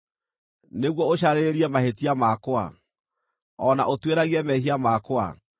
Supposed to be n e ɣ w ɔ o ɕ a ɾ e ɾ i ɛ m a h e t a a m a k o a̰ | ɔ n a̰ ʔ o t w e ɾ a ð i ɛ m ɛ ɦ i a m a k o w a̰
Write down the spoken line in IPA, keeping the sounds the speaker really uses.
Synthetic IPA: n e ɣ w ɔ o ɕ a ɾ e ɾ i ɛ m a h e t i a m a k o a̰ | ɔ n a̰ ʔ o t w e ɾ a ɣ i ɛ m ɛ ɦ i a m a k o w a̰

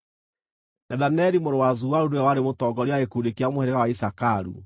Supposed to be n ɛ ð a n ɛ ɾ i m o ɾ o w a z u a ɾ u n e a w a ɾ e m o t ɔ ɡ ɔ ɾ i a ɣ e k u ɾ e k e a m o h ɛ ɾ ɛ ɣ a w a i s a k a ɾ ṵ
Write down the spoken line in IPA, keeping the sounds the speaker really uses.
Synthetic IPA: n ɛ ð a n ɛ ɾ i m o ɾ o w a z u a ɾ u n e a w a ɾ e m o t ɔ ɡ ɔ ɾ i a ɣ e k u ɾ e k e a m o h ɛ ɾ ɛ ɣ a w a i s a k a ɾ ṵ

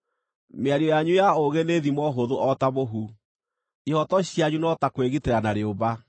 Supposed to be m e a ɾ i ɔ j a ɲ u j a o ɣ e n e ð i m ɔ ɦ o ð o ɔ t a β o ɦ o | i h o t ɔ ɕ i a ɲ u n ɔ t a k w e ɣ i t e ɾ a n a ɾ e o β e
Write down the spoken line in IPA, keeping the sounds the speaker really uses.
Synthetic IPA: m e a ɾ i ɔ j a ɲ u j a o ɣ e n e ð i m ɔ ɦ o ð o ɔ t a β o ɦ u | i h ɔ t ɔ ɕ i a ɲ u n ɔ t a k w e ɣ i t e ɾ a n a ɾ e o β a

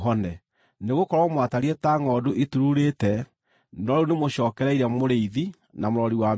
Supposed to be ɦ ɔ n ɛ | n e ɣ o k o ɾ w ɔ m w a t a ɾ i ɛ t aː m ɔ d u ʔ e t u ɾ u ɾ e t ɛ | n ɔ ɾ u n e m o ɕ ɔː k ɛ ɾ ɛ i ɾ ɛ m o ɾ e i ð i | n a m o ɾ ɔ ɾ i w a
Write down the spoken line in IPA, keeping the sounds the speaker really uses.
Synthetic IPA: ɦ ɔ n ɛ | n e ɣ o k ɔ ɾ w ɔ m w a t a ɾ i ɛ t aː ŋ ɔ d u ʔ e t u ɾ u ɾ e t ɛ | n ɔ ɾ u n e m o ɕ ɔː k ɛ ɾ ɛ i ɾ ɛ m o ɾ e i ð i | n a m o ɾ ɔ ɾ i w a

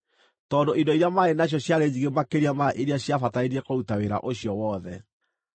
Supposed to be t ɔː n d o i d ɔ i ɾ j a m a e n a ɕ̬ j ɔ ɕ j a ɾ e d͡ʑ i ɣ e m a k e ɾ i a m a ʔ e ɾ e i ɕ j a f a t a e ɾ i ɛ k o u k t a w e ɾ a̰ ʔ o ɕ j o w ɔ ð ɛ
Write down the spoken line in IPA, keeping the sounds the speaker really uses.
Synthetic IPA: t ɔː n d o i d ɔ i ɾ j a m a e n a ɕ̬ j ɔ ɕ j a ɾ e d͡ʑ i ɣ e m a k e ɾ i a m a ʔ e ɾ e a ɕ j a f a t a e ɾ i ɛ k o u t a w e ɾ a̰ ʔ o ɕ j ɔ w ɔ ð ɛ

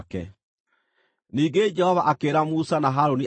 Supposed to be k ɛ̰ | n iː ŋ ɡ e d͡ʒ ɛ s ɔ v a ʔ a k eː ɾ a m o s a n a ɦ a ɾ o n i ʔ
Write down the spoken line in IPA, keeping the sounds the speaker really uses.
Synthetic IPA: k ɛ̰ | n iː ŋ ɡ e d͡ʒ ɛ h ɔ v a ʔ a k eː ɾ a m u s a n a ɦ a ɾ o n i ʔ

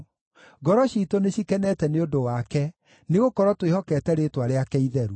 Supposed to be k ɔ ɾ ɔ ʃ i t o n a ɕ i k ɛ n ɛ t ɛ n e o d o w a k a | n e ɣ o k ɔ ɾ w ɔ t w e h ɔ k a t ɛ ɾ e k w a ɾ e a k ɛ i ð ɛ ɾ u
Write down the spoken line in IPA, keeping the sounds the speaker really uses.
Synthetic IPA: ɡ ɔ ɾ ɔ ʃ i t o n e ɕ i k ɛ n ɛ t ɛ n e o d o w a k ɛ | n e ɣ o k ɔ ɾ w ɔ t w e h ɔ k ɛ t ɛ ɾ e t w a ɾ e a k ɛ i ð ɛ ɾ u

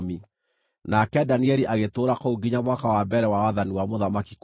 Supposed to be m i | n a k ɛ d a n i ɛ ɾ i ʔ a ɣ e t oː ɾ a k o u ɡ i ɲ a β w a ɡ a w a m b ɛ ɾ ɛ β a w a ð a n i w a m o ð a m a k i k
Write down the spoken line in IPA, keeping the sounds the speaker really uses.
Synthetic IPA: m i | n a k ɛ d a n i ɛ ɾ i ʔ a ɣ e t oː ɾ a k o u ɡ i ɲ a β w a k a w a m b ɛ ɾ ɛ w a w a ð a n i w a m o ð a m a k i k

